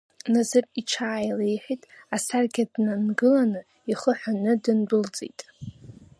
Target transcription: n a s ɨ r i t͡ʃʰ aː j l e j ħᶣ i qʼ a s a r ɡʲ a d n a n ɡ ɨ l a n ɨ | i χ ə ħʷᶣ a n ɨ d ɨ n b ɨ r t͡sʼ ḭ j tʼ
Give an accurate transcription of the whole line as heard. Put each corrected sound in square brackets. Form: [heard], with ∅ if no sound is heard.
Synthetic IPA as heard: n a [z] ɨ r i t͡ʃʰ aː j l e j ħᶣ i [tʼ] a s a r ɡʲ a d n a n ɡ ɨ l a n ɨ | i χ ə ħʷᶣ a n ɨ d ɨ n b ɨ [l] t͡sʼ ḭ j tʼ